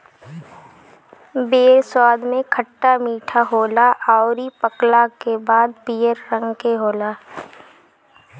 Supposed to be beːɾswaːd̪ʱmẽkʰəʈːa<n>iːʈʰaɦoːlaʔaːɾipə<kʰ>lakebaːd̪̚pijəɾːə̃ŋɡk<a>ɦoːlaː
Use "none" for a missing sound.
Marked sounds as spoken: m, k, e

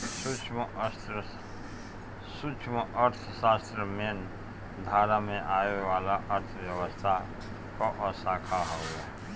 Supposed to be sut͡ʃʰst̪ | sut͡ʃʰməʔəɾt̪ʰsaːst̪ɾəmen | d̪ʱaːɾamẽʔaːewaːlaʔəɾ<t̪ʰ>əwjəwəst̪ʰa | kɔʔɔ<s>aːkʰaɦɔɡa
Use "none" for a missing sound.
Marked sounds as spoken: t̪ʰ, s

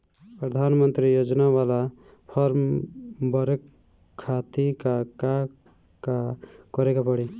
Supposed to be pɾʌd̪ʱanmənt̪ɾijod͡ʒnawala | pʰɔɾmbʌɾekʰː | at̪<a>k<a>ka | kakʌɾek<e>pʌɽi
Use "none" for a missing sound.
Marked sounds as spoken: i, a, a

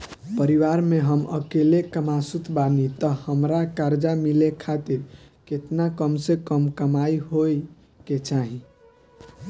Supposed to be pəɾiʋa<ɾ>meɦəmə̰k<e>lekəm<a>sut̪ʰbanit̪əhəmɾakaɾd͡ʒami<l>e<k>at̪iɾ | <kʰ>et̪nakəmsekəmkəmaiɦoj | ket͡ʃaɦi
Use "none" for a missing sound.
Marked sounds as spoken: ɾ, e, a, l, kʰ, k

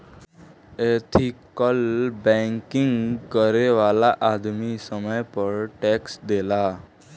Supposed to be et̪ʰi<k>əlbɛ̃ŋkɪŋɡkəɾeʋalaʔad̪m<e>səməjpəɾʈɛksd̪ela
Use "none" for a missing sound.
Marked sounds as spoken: k, i

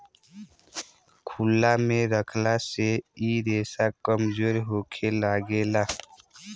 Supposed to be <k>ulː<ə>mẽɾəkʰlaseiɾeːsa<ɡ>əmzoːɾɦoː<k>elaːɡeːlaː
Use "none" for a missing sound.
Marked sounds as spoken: kʰ, a, k, kʰ

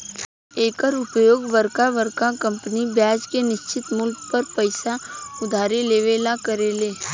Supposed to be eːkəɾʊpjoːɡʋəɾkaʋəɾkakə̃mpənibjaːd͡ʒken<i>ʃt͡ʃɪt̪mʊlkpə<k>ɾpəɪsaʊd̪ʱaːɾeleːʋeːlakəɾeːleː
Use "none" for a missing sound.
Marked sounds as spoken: ɪ, none

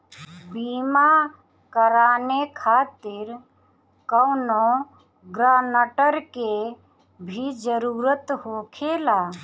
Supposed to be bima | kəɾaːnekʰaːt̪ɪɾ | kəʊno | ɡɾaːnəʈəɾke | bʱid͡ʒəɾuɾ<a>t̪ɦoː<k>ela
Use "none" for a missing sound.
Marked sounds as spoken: ə, kʰ

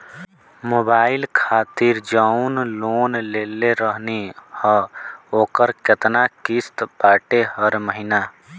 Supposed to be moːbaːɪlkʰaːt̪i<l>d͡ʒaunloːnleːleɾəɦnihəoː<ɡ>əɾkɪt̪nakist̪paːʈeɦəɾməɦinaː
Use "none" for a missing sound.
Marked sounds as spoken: ɾ, k

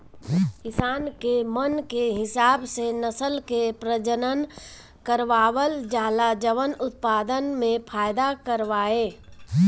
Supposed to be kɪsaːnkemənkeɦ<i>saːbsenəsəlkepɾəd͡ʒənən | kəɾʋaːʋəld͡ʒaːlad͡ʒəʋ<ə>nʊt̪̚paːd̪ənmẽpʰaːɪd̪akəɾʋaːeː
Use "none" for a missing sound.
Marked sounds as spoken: ɪ, ə

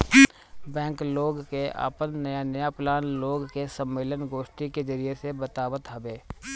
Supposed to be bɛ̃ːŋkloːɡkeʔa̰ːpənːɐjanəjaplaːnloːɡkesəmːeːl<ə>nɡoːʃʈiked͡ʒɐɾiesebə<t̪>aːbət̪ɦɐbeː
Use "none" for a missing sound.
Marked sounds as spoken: ə, t̪

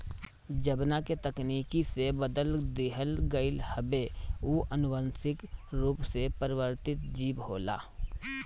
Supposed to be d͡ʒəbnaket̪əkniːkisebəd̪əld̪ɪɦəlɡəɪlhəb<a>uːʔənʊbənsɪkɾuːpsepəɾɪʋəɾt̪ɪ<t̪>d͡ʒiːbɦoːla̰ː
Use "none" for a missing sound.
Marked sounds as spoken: e, t̪

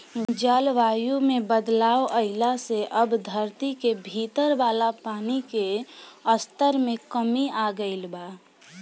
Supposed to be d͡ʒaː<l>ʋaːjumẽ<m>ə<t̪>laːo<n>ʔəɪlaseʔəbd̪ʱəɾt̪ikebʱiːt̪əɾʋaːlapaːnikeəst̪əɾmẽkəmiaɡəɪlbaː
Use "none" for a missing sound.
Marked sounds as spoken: l, b, d̪, none

